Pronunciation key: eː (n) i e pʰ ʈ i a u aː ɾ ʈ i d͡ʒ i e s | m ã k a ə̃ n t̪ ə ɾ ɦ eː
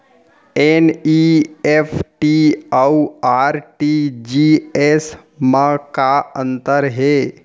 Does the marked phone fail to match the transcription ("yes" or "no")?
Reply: no